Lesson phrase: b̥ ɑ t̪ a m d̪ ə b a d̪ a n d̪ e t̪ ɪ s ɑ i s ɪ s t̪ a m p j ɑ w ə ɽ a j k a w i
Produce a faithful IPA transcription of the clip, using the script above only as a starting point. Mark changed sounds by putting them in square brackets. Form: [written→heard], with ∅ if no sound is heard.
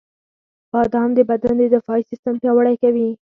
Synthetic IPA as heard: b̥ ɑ [t̪→d̪] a m d̪ ə b a d̪ a n d̪ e [t̪→d̪] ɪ [s→f] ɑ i s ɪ s t̪ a m p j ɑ w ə ɽ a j k a w i